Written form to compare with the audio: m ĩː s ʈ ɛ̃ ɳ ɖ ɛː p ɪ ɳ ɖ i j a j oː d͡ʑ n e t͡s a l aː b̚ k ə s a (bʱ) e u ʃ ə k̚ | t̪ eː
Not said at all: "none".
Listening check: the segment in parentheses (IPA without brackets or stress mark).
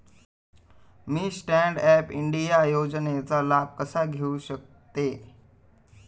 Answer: ɡʱ